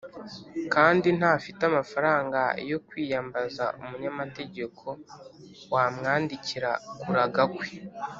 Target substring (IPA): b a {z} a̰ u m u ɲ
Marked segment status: correct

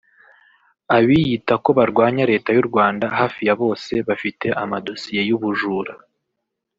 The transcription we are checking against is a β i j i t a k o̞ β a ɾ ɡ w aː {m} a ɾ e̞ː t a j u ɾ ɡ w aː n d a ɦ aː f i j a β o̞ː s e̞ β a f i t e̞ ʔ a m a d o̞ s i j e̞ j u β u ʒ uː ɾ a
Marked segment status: incorrect: ɲ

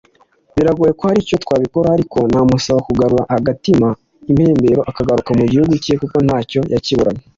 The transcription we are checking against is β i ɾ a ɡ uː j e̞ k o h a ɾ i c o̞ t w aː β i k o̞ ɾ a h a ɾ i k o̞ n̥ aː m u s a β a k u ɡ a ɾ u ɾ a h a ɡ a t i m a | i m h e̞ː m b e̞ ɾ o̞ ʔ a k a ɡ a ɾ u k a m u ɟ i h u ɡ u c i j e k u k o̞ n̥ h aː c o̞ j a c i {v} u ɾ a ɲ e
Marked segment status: incorrect: β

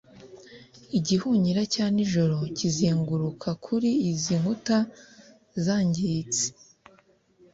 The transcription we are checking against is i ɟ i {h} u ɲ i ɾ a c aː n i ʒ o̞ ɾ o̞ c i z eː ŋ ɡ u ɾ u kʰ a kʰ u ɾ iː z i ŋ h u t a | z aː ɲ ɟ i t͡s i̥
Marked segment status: correct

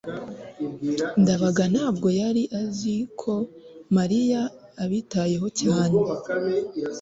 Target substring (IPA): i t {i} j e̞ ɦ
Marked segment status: incorrect: a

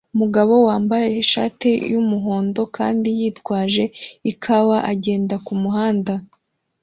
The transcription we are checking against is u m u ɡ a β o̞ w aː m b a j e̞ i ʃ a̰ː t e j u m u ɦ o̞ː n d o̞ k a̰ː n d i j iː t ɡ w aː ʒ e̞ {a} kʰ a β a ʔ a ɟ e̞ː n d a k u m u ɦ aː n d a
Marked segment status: incorrect: i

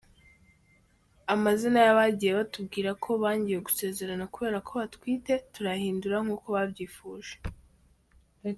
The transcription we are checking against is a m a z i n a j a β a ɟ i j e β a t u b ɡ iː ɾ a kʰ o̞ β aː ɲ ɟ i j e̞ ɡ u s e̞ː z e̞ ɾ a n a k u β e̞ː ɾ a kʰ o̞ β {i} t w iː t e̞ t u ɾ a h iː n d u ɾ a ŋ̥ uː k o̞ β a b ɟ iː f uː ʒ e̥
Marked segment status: incorrect: a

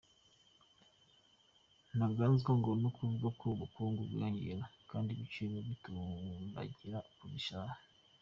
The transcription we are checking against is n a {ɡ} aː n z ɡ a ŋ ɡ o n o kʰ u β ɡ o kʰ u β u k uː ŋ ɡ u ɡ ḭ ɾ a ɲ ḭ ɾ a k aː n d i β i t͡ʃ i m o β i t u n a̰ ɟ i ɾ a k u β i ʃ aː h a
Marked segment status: correct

